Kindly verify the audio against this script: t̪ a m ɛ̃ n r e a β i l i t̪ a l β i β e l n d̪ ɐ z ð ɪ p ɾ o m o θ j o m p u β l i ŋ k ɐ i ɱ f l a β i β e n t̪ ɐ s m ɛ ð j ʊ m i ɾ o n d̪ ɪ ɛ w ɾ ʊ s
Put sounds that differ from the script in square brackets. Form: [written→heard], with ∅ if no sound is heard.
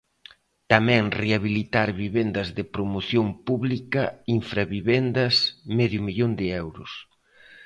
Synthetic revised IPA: t̪ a m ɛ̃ [n→ŋ] r e a β i l i t̪ a [l→ɾ] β i β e [l→∅] n d̪ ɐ z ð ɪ p ɾ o m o θ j o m p u β l i [ŋ→∅] k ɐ i ɱ f [l→ɾ] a β i β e n [t̪→d̪] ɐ s m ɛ ð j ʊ m i [ɾ→ʎ] o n d̪ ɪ ɛ w ɾ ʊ s